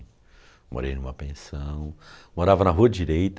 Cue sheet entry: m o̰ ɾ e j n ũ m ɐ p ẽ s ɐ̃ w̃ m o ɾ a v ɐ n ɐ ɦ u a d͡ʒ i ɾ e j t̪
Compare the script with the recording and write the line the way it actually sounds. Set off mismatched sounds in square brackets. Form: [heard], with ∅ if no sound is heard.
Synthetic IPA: m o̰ ɾ e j n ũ m ɐ p ẽ s ɐ̃ w̃ m o ɾ a v ɐ n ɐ ɦ u [ɐ] d͡ʒ i ɾ e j t̪